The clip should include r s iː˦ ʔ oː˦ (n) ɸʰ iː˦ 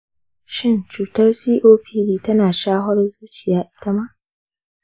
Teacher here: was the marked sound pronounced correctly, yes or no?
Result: no